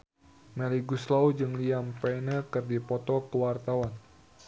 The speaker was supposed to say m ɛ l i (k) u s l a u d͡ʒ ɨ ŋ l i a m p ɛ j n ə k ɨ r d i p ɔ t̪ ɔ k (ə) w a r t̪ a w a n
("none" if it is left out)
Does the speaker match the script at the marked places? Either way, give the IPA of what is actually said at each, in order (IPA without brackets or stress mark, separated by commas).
ɡ, ə